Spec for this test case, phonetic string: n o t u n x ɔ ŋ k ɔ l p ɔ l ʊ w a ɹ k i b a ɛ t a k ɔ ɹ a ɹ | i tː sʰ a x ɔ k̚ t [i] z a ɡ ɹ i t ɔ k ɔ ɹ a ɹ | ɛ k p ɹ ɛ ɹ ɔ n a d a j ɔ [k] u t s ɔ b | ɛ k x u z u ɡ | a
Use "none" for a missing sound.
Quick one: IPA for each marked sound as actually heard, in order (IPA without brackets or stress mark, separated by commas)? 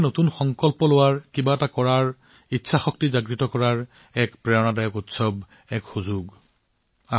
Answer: i, k